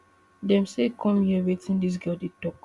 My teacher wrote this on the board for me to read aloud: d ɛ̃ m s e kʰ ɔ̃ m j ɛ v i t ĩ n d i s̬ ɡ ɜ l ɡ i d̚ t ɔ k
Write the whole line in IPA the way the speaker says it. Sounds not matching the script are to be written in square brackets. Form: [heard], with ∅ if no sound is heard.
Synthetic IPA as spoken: d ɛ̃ m s e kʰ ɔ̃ m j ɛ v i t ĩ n d i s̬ ɡ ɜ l [d] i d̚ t ɔ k

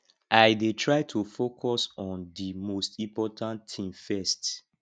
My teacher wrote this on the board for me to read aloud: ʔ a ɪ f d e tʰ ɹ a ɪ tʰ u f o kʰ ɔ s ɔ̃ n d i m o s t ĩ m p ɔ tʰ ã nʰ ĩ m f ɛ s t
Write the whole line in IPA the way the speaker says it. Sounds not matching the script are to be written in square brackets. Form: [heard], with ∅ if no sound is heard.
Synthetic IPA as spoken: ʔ a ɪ [∅] d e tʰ ɹ a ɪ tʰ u f o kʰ ɔ s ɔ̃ n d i m o s t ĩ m p ɔ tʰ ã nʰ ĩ m f ɛ s t

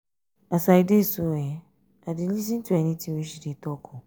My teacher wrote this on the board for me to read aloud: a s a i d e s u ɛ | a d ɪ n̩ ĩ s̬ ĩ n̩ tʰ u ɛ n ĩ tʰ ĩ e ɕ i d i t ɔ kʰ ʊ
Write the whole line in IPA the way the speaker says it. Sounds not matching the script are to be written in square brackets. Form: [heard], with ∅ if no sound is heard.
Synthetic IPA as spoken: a s a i d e s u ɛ | a d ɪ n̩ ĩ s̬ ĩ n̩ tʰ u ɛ n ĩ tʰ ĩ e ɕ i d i t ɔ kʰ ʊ

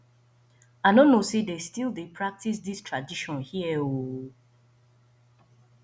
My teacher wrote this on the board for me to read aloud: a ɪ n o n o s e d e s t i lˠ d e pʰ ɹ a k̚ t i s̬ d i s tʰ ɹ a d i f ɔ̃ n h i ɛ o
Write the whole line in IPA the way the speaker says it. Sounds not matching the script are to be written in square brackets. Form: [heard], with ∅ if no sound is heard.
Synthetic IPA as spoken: a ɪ n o n o s e d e s t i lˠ d e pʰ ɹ a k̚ t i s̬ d i s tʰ ɹ a d i [ʃ] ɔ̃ n h i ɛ o

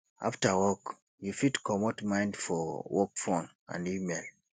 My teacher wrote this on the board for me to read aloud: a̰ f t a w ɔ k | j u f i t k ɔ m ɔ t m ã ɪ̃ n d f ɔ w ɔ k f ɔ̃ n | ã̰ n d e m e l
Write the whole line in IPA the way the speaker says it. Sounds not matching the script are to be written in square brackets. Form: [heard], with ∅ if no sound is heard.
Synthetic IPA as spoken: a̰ f t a w ɔ k | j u f i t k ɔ m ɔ t m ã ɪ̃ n d f ɔ w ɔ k f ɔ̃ n | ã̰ n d [i] m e l

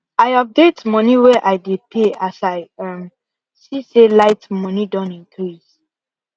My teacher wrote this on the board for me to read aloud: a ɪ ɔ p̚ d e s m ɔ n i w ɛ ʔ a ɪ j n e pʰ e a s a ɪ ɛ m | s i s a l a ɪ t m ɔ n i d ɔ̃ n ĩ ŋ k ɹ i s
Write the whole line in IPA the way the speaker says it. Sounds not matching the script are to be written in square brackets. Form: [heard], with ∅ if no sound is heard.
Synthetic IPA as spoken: a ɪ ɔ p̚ d e [t] m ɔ n i w ɛ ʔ a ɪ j [d] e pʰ e a s a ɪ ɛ m | s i s [e] l a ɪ t m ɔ n i d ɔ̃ n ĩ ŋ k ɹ i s

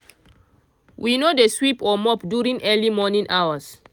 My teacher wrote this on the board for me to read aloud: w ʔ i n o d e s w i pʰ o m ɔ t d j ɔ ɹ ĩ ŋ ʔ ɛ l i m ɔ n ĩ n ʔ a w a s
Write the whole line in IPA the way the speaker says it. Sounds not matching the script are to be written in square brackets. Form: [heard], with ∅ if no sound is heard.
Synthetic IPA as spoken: w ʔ i n o d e s w i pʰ [ɔ] m ɔ [p] d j [u] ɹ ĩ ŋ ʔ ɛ l i m ɔ n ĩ n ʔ a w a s

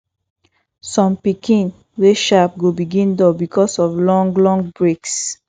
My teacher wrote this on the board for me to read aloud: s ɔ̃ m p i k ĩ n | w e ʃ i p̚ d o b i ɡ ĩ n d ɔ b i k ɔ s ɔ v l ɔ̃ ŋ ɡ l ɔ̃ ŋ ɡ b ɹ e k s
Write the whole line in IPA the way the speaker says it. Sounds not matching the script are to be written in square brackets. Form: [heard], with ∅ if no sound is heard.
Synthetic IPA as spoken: s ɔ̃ m p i k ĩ n | w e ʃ [a] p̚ [ɡ] o b i ɡ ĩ n d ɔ b i k ɔ s ɔ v l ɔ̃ ŋ ɡ l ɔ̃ ŋ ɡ b ɹ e k s

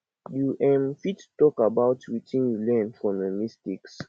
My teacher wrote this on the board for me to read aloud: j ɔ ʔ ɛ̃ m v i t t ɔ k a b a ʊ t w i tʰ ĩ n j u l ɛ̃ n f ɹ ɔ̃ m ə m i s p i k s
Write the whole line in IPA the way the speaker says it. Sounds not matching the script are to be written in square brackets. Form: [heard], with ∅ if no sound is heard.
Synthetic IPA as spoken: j [u] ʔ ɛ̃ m [f] i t t ɔ k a b a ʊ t w i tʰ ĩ n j u l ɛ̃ n f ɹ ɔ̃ m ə m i s [t] i k s

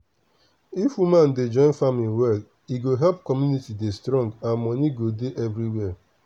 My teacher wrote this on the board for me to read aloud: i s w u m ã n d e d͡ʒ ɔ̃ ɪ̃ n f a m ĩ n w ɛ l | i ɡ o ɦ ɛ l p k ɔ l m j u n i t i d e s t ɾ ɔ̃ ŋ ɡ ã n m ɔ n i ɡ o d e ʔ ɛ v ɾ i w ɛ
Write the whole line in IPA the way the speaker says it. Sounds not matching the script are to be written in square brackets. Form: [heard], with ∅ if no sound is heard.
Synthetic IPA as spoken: i [f] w u m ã n d e d͡ʒ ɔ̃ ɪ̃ n f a m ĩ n w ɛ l | i ɡ o ɦ ɛ l p k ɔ [∅] m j u n i t i d e s t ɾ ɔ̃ ŋ ɡ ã n m ɔ n i ɡ o d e ʔ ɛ v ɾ i w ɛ

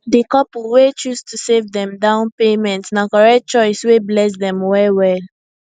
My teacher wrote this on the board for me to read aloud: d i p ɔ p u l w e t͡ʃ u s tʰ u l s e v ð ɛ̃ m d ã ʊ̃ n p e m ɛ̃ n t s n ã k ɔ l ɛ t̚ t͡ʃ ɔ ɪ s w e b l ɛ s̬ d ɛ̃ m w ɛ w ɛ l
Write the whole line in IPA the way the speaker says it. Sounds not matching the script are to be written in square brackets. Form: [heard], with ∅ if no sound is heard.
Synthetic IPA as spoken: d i [k] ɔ p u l w e t͡ʃ u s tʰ u [∅] s e v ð ɛ̃ m d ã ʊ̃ n p e m ɛ̃ n t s n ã k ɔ [ɹ] ɛ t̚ t͡ʃ ɔ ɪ s w e b l ɛ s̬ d ɛ̃ m w ɛ w ɛ l

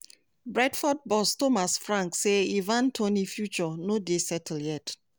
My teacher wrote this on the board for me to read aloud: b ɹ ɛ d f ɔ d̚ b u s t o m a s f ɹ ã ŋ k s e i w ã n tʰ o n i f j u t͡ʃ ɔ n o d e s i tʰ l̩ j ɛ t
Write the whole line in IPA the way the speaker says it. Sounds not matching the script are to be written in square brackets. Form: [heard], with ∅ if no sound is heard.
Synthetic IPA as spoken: b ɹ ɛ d f ɔ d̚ b [ɔ] s t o m a s f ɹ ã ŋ k s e i [v] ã n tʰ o n i f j u t͡ʃ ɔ n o d e s [ɛ] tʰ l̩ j ɛ t

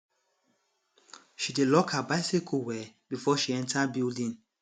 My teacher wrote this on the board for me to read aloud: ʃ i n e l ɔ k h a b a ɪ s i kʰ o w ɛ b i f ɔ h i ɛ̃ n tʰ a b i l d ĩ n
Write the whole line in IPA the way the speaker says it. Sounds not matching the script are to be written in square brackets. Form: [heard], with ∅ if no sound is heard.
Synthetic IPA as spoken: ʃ i [d] e l ɔ k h a b a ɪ s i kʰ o w ɛ b i f ɔ [ʃ] i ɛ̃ n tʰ a b i l d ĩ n

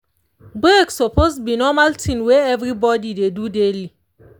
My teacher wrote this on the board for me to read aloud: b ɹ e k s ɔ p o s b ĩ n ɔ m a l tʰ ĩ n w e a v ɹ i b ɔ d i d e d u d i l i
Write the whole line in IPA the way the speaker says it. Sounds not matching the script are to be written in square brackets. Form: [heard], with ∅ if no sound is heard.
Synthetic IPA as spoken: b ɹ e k s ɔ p o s b [i] n ɔ m a l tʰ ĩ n w e [ɛ] v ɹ i b ɔ d i d e d u d [e] l i

